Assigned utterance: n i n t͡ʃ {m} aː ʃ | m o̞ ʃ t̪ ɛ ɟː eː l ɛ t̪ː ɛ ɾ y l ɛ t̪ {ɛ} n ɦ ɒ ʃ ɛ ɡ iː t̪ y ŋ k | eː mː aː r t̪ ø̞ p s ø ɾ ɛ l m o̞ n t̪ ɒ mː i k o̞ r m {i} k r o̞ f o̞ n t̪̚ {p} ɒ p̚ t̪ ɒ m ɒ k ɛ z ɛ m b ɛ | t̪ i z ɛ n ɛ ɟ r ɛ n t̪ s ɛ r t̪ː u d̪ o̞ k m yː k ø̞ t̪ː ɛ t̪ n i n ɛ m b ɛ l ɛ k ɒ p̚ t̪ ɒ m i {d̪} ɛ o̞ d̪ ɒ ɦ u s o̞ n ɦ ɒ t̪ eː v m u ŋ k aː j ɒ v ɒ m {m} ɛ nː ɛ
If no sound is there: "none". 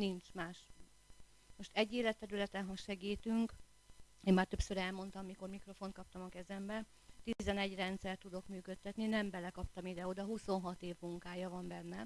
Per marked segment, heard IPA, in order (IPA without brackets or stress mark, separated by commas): m, ɛ, i, k, d̪, b